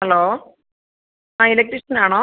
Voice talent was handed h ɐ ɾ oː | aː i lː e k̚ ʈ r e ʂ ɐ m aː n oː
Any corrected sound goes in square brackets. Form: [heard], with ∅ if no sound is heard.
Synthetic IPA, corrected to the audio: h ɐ [l] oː | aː i [l] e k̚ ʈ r [i] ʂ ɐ [n] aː [ɳ] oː